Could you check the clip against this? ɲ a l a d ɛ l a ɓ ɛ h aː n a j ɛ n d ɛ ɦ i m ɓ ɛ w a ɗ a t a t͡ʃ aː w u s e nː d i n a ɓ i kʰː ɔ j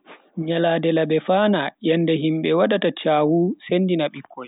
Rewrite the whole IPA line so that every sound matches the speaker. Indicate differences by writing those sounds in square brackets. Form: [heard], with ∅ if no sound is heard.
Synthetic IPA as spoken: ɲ a l a d ɛ l a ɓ ɛ [f] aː n a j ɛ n d ɛ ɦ i m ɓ ɛ w a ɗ a t a t͡ʃ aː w u s e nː d i n a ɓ i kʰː ɔ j